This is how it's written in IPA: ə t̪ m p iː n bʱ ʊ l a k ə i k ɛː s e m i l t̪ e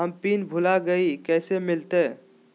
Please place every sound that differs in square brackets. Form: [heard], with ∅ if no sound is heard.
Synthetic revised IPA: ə [∅] m p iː n bʱ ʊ l a [ɡ] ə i k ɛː s e m [ɪ] l t̪ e